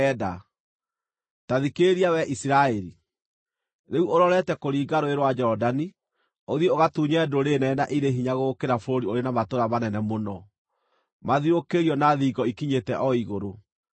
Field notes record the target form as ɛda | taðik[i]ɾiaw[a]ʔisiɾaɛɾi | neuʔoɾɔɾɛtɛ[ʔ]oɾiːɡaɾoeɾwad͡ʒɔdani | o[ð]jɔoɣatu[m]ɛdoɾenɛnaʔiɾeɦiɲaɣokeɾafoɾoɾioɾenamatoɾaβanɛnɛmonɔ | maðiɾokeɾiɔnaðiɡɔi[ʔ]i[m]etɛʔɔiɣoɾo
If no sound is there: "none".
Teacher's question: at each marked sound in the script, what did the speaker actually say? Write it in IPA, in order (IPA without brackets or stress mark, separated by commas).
e, ɛ, k, ð, ɲ, k, ɲ